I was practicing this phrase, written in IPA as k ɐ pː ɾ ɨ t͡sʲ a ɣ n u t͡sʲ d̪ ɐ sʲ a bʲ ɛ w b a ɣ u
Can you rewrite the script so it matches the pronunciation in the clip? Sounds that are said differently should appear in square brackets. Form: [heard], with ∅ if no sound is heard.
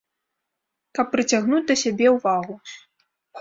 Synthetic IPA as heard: k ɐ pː ɾ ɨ t͡sʲ a ɣ n u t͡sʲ d̪ ɐ sʲ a bʲ ɛ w [v] a ɣ u